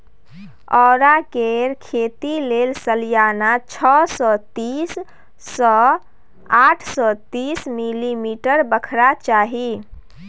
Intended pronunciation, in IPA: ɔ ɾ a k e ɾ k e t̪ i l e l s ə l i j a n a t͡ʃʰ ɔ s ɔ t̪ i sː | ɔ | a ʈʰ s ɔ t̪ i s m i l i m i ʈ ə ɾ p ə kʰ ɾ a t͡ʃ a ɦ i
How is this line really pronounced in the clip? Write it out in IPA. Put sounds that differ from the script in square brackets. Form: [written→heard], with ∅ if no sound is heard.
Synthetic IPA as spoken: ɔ ɾ a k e ɾ [k→kʰ] e t̪ i l e l s ə l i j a n a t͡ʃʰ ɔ s ɔ t̪ i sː | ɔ | a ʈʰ s ɔ t̪ i s m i l i m i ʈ ə ɾ [p→b] ə kʰ ɾ a t͡ʃ a ɦ i